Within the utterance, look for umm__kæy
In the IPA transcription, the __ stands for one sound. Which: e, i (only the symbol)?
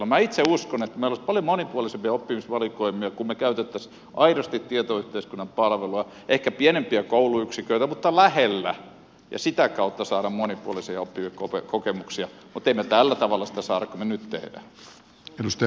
e